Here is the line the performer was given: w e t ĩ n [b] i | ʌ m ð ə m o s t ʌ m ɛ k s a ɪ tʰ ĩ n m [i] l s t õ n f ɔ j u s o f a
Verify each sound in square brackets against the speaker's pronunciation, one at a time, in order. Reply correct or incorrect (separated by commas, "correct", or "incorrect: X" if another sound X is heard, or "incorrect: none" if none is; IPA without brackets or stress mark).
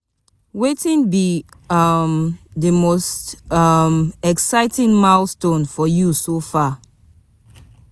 correct, incorrect: a